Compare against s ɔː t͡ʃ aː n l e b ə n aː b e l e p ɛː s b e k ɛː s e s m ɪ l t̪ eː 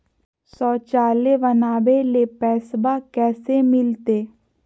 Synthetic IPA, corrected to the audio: s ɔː t͡ʃ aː l e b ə n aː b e l e p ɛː s b a k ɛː s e m ɪ l t̪ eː